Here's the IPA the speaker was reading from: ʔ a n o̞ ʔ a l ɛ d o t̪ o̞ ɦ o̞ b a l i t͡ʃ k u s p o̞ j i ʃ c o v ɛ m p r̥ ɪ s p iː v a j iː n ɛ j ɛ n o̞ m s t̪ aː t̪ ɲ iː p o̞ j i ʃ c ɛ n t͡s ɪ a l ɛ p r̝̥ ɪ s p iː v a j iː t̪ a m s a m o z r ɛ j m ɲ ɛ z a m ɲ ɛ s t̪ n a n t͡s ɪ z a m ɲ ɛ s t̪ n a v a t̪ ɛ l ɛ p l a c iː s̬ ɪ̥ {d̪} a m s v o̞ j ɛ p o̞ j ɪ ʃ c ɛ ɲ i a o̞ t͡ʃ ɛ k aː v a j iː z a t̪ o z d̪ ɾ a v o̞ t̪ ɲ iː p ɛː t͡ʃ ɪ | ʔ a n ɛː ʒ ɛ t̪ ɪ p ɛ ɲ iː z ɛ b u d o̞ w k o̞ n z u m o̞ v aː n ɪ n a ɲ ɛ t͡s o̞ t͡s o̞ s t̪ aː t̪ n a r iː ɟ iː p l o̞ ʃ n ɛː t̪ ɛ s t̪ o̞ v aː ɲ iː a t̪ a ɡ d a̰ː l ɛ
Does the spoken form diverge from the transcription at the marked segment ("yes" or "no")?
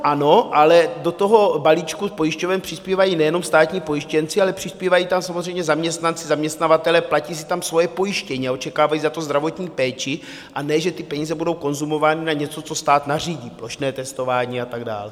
yes